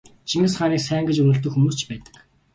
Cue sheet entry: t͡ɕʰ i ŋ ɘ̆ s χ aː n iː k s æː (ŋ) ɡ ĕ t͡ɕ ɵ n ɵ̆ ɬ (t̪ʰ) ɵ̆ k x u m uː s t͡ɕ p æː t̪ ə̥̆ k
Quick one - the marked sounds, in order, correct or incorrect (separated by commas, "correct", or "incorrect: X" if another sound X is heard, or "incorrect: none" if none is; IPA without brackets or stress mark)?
correct, incorrect: t̪